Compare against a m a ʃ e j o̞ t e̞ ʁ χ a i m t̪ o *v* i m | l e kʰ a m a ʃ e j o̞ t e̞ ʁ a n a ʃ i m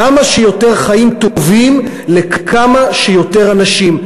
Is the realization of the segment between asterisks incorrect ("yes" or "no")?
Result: no